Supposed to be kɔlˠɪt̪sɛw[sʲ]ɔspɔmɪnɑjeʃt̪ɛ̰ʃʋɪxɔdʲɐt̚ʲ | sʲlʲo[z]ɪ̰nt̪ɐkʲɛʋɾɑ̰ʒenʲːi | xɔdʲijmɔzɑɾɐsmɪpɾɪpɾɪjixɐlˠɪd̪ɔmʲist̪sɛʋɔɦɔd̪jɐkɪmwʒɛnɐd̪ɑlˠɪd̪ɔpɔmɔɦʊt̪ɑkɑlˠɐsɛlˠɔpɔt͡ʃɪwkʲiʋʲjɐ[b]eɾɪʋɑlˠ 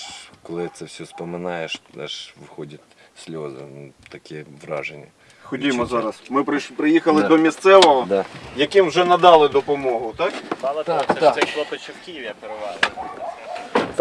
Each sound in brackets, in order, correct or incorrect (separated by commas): correct, correct, incorrect